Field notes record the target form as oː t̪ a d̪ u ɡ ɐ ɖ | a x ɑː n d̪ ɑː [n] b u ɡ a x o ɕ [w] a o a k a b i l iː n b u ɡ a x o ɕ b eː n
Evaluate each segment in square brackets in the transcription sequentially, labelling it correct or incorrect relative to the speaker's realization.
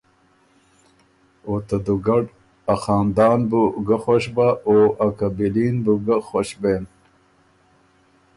correct, incorrect: b

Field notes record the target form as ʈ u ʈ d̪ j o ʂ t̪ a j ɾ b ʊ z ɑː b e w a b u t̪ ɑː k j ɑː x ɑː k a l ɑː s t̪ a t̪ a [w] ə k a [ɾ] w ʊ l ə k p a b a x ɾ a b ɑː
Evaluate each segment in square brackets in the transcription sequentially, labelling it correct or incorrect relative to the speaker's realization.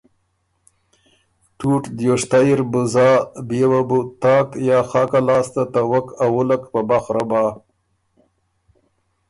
correct, incorrect: none

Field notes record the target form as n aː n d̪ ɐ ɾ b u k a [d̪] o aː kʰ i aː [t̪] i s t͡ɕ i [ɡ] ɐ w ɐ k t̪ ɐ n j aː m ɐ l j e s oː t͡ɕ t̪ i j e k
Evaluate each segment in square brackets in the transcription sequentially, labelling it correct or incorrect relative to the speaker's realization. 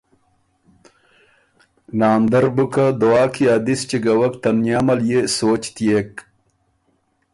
correct, incorrect: d̪, correct

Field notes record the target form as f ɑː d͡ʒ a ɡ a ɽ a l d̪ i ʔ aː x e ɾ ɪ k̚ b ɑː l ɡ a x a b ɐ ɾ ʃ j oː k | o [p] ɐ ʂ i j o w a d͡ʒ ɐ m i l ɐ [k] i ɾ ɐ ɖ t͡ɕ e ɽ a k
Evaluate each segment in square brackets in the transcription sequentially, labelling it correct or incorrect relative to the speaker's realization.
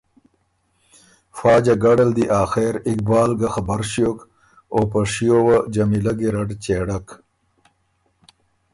correct, incorrect: ɡ

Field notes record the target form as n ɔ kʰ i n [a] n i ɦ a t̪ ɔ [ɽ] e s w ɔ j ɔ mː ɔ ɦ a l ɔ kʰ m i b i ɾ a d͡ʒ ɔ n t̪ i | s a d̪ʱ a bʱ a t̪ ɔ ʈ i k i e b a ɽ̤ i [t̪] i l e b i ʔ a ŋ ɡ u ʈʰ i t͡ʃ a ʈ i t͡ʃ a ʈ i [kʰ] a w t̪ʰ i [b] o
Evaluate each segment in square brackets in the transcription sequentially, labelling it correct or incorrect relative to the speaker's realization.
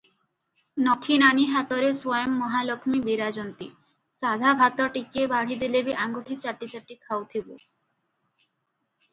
correct, incorrect: ɾ, incorrect: d̪, correct, correct

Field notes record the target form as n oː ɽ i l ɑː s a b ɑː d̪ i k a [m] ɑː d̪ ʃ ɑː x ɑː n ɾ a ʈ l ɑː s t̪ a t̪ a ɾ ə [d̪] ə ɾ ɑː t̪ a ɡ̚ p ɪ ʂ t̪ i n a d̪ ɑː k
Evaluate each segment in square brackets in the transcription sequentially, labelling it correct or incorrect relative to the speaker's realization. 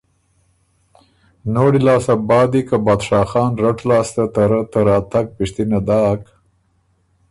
incorrect: b, incorrect: t̪

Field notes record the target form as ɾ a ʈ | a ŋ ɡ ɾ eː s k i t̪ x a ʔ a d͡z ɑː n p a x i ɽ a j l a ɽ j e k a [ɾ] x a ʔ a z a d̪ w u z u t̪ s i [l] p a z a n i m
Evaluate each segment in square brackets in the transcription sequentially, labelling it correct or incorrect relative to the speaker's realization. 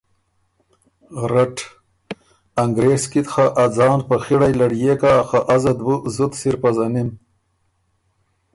incorrect: none, incorrect: ɾ

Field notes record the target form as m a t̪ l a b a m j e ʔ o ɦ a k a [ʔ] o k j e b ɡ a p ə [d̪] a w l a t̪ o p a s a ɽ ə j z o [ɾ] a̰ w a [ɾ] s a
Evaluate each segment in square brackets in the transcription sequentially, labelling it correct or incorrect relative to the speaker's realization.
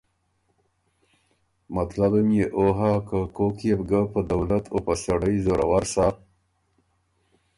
incorrect: k, correct, correct, correct

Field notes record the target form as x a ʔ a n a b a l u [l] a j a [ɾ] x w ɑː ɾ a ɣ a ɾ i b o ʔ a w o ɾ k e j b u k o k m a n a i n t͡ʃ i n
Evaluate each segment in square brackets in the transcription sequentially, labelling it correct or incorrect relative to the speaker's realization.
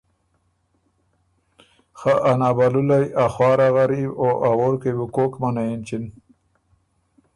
correct, incorrect: none

